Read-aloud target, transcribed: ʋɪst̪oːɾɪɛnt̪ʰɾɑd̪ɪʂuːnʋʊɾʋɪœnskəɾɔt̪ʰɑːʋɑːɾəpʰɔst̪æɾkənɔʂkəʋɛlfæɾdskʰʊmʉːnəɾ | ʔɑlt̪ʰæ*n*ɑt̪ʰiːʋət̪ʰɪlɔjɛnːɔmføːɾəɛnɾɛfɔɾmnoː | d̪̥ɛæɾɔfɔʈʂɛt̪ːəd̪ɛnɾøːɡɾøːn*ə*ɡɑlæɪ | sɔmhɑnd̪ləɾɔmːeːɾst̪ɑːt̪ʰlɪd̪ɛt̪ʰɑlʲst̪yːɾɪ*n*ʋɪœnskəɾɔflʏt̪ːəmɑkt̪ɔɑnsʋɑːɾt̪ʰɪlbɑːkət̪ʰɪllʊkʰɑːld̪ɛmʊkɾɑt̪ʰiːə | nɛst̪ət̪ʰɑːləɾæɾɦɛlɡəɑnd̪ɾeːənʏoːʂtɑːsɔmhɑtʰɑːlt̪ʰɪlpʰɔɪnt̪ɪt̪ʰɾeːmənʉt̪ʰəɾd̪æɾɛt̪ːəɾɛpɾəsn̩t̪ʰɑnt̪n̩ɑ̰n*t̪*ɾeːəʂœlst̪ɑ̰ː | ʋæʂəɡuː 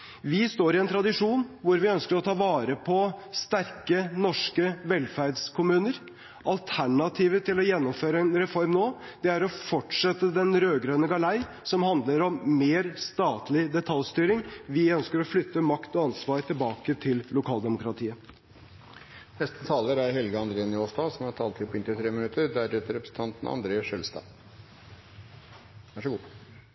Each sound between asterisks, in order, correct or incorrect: incorrect: ɳ, correct, incorrect: ŋ, incorrect: d̪

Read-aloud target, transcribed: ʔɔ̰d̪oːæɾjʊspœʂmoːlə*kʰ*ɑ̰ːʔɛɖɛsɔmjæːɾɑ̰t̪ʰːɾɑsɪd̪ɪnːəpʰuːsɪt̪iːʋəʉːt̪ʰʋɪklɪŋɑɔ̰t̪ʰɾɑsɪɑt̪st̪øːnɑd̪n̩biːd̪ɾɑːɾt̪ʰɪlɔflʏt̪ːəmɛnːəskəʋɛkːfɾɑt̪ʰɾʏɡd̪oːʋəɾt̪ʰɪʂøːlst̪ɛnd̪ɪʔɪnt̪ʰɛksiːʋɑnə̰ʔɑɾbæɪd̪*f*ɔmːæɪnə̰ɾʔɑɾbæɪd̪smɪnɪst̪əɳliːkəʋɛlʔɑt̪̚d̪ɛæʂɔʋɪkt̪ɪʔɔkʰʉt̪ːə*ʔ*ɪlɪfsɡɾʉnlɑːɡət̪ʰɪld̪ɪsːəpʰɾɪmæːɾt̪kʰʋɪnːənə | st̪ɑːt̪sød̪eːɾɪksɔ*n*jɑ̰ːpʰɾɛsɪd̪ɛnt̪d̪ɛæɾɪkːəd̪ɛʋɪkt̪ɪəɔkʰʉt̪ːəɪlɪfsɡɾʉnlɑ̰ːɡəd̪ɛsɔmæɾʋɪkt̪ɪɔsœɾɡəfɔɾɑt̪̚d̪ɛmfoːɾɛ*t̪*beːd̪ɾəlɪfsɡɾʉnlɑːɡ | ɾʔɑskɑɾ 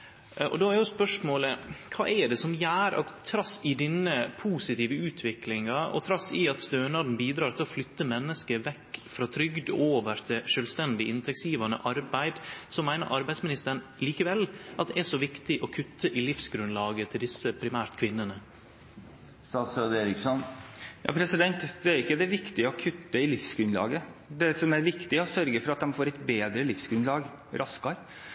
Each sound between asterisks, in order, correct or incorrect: correct, incorrect: s, correct, correct, correct

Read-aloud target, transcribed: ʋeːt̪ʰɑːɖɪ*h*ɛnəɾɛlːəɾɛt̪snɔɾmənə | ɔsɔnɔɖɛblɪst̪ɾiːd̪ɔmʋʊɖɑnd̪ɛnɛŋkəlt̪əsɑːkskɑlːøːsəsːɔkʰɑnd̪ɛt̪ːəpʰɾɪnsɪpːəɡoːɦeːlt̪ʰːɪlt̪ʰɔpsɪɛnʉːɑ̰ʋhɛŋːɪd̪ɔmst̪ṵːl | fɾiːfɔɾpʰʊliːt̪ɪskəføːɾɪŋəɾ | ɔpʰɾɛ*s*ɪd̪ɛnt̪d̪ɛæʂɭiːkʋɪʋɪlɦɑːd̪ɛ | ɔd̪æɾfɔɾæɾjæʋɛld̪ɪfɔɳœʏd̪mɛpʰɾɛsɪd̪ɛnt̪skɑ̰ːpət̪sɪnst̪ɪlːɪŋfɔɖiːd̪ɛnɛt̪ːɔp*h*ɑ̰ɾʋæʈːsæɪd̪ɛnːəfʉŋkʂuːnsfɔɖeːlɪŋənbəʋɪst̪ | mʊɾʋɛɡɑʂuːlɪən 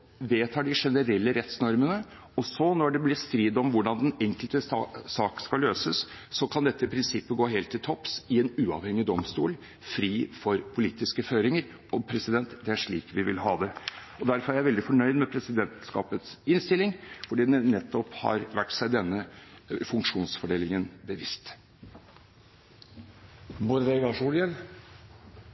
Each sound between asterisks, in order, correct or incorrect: incorrect: ʂ, correct, correct

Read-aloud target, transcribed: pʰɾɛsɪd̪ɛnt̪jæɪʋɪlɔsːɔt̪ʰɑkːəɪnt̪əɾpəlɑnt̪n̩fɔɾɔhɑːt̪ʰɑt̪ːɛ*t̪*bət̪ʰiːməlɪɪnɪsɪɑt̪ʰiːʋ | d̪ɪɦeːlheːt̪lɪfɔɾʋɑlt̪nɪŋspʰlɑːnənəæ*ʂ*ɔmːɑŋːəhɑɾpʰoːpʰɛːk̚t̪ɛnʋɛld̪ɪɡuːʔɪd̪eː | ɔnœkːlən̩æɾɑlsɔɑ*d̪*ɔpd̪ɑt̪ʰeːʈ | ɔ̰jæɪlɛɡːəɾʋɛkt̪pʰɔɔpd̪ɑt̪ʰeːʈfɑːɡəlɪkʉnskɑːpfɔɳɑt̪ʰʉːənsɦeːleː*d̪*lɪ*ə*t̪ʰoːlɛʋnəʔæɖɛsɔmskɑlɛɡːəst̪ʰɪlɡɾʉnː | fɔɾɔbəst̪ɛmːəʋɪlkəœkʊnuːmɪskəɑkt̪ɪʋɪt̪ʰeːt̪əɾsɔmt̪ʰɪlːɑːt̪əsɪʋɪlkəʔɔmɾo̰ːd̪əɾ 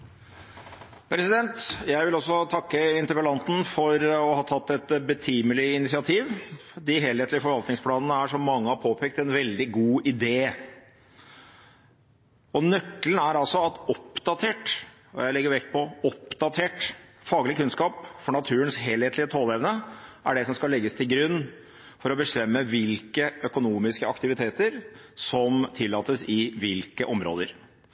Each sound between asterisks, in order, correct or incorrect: correct, correct, incorrect: t̪, incorrect: t̪, correct

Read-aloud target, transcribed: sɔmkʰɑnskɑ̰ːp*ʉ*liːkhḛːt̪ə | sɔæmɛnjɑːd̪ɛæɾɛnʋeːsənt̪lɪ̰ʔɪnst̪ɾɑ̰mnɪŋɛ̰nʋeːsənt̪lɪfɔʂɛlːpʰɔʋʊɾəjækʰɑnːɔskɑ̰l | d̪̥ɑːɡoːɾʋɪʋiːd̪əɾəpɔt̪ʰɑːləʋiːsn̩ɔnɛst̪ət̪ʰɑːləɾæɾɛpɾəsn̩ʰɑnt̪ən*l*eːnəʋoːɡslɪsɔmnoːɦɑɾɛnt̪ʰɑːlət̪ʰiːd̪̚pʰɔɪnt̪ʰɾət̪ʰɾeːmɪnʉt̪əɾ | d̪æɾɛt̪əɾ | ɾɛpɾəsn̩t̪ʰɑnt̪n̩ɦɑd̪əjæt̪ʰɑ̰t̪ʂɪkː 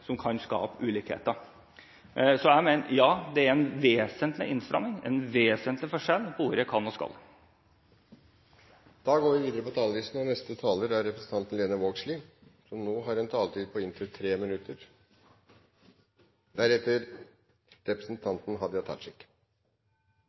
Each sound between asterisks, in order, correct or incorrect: incorrect: ʉː, correct

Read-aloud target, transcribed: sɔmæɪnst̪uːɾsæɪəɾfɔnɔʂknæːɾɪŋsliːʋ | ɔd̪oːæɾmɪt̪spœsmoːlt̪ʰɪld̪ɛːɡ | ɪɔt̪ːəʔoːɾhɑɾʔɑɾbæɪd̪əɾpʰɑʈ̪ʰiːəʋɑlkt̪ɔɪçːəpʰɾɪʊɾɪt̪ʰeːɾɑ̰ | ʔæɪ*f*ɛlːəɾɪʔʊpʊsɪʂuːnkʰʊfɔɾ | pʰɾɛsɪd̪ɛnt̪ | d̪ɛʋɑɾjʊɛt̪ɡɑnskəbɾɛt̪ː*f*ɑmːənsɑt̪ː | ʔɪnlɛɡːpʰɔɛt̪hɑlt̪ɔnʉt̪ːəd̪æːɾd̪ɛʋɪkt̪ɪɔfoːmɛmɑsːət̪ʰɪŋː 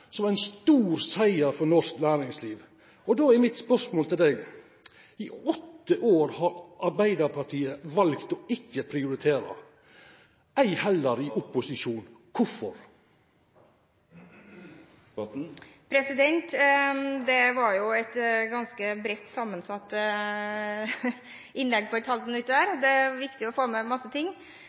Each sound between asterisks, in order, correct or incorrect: incorrect: h, incorrect: s

